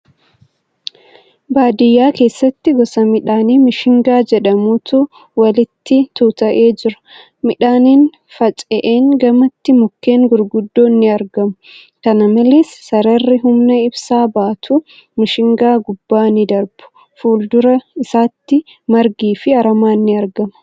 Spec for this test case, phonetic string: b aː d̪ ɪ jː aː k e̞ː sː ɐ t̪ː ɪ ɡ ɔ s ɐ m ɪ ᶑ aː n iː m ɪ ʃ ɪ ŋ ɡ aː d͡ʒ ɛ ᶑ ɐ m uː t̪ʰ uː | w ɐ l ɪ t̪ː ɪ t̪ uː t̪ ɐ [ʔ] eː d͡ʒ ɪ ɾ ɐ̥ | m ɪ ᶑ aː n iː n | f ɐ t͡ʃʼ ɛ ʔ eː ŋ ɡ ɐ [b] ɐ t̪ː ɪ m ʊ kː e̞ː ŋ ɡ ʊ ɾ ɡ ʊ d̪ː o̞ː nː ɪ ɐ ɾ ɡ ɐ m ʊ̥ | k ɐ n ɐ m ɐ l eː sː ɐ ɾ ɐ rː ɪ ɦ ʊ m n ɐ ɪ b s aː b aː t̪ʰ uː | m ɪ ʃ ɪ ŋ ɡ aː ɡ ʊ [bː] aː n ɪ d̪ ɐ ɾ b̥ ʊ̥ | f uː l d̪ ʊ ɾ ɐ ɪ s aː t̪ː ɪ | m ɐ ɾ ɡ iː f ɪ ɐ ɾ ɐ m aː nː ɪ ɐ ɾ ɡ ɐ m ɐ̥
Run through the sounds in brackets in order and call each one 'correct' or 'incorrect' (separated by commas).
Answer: correct, incorrect, correct